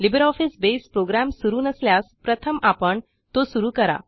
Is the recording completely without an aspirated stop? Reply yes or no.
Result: no